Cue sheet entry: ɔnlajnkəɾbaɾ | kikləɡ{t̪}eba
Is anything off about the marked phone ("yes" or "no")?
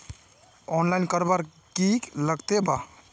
no